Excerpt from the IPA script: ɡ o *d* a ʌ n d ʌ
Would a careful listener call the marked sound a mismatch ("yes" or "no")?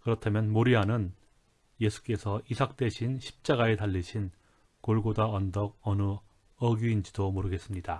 no